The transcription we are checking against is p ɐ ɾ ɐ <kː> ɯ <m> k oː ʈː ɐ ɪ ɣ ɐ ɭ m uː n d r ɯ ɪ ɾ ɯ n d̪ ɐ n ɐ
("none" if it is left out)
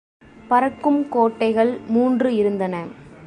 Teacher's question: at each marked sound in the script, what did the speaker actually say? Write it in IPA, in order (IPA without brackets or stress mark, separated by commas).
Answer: kː, m